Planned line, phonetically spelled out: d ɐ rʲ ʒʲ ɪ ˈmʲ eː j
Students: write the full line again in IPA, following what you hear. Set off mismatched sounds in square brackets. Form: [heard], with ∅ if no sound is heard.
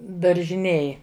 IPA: d ɐ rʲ ʒʲ ɪ [ˈnʲ] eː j

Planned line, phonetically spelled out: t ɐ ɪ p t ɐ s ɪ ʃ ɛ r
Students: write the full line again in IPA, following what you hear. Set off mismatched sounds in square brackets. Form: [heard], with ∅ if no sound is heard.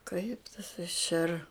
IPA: [k] ɐ ɪ p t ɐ s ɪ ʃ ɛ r

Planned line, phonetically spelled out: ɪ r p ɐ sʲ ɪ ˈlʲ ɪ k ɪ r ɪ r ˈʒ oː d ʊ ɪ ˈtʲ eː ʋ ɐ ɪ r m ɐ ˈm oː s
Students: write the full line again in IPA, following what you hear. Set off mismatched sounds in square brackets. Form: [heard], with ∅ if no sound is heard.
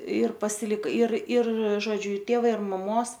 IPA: ɪ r p ɐ sʲ ɪ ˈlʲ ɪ k ɪ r ɪ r ˈʒ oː [d͡ʒʲ] ʊ ɪ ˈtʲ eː ʋ ɐ ɪ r m ɐ ˈm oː s

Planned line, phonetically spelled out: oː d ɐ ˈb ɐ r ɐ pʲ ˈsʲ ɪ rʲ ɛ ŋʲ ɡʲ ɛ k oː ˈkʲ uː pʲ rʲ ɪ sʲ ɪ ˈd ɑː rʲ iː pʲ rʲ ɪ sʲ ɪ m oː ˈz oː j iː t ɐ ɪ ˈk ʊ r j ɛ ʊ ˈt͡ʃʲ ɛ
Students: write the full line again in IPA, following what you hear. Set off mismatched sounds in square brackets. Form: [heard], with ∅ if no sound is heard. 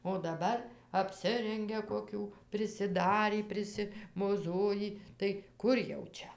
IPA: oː d ɐ ˈb ɐ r ɐ pʲ ˈsʲ ɪ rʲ ɛ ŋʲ ɡʲ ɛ k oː ˈkʲ uː pʲ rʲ ɪ sʲ ɪ ˈd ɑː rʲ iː pʲ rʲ ɪ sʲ ɪ m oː ˈz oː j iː t ɐ ɪ ˈk ʊ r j ɛ ʊ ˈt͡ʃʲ ɛ

